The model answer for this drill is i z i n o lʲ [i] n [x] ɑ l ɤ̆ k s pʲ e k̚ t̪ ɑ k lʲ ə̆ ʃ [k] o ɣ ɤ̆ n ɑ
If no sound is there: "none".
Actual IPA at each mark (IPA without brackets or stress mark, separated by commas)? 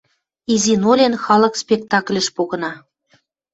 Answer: e, x, p